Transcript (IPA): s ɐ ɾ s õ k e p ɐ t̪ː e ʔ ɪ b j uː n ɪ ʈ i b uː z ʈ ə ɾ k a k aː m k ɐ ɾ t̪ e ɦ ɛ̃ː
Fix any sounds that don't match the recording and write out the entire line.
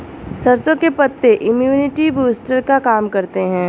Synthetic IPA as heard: s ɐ ɾ s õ k e p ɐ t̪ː e ʔ ɪ m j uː n ɪ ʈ i b uː s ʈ ə ɾ k a k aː m k ɐ ɾ t̪ e ɦ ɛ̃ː